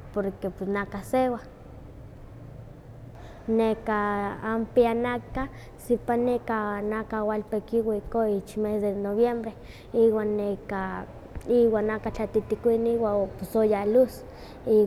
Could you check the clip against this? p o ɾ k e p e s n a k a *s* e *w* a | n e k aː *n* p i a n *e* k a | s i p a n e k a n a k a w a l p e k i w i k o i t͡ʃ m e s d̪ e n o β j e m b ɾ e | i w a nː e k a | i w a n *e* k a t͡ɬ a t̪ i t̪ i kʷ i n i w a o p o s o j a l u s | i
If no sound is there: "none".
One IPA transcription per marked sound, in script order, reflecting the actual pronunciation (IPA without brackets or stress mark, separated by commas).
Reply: s, w, m, a, a